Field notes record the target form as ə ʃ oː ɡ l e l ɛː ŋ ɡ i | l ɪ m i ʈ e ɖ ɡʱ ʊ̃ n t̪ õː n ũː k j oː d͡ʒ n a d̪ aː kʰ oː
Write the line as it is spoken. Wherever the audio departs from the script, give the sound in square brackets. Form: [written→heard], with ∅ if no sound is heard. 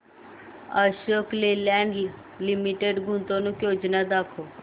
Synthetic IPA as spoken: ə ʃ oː [ɡ→k] l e l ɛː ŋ ɡ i | l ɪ m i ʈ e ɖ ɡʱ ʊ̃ n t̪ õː n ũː k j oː d͡ʒ n a d̪ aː kʰ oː